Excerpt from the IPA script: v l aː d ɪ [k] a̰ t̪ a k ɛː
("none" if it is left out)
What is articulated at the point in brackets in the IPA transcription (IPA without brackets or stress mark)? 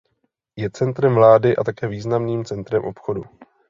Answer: ʔ